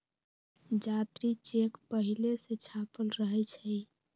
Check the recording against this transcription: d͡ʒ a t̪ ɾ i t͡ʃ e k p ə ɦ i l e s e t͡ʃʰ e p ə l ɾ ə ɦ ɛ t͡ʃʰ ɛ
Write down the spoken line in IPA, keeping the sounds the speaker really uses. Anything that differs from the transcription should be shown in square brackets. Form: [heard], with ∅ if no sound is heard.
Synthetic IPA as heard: d͡ʒ a t̪ ɾ i t͡ʃ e k p ə ɦ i l e s e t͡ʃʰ [a] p ə l ɾ ə ɦ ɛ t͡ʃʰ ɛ